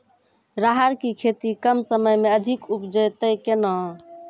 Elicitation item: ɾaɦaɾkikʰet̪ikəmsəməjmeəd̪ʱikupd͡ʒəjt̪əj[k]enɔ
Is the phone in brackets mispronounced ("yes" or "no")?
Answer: no